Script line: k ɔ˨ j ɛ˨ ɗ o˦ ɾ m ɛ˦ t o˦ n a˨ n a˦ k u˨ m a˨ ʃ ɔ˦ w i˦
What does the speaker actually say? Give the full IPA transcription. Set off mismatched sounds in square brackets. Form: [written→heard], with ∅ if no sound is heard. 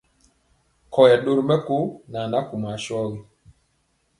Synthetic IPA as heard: k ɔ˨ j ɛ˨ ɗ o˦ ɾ m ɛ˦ [t→k] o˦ n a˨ n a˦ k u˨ m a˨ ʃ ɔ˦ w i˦